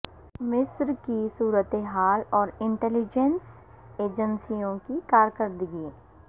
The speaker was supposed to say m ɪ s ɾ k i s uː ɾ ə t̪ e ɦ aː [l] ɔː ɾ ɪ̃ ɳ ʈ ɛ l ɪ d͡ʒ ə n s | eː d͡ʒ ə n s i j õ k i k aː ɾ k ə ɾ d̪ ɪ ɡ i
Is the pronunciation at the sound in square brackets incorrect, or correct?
correct